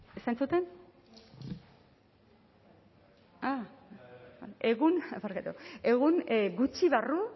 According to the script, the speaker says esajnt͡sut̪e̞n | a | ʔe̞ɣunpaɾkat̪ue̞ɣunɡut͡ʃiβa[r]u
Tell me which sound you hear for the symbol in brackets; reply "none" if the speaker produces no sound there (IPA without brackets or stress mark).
r